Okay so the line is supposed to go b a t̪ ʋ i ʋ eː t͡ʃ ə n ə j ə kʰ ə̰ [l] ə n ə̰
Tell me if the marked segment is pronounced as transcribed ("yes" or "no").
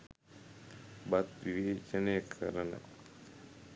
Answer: no